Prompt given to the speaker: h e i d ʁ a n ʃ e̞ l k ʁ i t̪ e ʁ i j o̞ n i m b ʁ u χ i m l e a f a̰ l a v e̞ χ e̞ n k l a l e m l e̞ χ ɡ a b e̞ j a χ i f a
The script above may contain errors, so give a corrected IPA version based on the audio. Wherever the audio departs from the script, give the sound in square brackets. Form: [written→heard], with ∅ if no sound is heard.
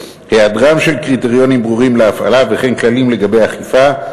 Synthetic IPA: h e [i→a] d ʁ a [n→m] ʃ e̞ l k ʁ i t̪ e ʁ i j o̞ n i m b ʁ u [χ→ʁ] i m l e a f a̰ l a v e̞ χ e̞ n k l a l [e→i] m l e̞ [χ→∅] ɡ a b e̞ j a χ i f a